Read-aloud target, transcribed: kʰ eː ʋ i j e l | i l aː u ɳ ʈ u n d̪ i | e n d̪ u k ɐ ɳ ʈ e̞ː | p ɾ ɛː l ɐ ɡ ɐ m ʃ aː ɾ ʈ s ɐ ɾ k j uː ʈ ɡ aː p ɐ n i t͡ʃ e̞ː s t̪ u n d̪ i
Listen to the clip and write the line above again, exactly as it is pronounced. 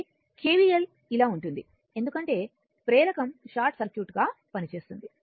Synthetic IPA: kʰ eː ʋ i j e l | i l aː u ɳ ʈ u n d̪ i | e n d̪ u k ɐ ɳ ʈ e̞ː | p ɾ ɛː l ɐ k ɐ m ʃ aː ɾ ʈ s ɐ ɾ k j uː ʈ ɡ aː p ɐ n i t͡ʃ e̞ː s t̪ u n d̪ i